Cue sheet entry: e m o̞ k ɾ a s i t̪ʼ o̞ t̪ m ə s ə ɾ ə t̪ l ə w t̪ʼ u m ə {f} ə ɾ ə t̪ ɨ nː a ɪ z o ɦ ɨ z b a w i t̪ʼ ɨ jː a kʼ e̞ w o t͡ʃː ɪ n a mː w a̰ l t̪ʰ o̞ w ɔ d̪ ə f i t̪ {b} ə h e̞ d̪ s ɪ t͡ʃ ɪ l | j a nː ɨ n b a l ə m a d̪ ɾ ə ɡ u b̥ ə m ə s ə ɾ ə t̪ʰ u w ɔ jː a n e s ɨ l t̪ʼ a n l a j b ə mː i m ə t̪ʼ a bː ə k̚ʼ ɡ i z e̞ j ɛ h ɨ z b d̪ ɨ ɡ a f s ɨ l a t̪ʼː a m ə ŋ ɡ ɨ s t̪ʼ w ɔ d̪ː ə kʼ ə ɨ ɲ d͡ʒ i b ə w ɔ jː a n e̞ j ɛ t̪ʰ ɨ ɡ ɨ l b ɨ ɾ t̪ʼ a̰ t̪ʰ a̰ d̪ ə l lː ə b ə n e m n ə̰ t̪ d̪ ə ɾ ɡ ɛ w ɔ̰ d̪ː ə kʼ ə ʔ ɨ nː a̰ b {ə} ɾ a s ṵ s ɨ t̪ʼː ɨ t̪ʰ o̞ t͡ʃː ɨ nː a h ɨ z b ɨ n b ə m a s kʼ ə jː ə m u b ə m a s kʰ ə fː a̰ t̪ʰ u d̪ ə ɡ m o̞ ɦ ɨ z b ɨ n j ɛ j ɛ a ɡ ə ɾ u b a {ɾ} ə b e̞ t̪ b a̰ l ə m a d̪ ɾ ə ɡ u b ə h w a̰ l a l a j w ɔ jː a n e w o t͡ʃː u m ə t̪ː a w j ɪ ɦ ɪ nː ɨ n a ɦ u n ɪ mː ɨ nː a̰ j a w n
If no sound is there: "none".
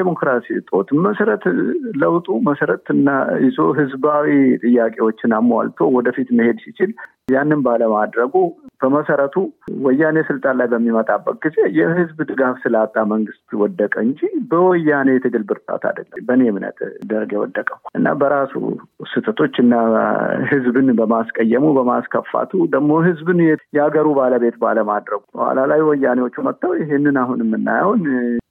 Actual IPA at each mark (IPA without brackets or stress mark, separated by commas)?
s, m, ə, l